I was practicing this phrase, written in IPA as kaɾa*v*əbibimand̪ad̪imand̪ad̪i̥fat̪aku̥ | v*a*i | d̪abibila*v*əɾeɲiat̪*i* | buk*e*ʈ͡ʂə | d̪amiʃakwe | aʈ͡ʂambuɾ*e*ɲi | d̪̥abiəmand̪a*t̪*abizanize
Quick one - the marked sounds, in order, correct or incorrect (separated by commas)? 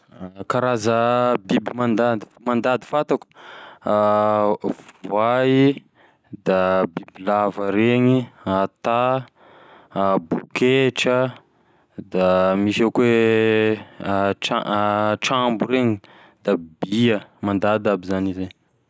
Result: incorrect, correct, correct, incorrect, correct, correct, incorrect